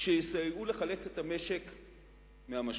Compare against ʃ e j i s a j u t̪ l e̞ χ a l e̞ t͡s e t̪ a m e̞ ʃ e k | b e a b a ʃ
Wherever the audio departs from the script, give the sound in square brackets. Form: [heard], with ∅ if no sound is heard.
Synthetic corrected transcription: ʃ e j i s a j u [∅] l e̞ χ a l e̞ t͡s e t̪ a m e̞ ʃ e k | [m] e a [m] a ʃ